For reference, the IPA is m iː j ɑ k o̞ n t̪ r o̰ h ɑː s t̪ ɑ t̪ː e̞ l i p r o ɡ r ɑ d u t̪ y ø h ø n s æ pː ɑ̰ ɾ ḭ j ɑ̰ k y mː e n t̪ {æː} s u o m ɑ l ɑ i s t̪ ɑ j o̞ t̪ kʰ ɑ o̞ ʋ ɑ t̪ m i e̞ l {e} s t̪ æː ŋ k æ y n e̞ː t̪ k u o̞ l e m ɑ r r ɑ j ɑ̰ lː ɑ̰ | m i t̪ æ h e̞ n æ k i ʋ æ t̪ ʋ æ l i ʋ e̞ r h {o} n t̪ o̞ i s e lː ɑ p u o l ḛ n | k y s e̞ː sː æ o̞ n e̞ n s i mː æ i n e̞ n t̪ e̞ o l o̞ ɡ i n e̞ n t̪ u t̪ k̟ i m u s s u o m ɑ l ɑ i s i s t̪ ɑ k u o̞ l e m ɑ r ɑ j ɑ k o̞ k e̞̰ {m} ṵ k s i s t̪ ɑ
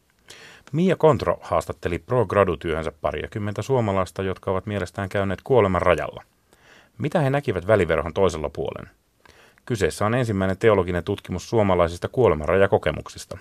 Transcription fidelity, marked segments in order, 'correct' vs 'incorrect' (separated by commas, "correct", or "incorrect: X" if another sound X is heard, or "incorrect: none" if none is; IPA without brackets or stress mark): incorrect: æ, correct, correct, correct